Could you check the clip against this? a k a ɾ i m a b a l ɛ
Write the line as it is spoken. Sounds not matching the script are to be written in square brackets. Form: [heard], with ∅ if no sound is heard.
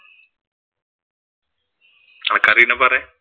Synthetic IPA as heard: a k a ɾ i [n] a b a [ɾ] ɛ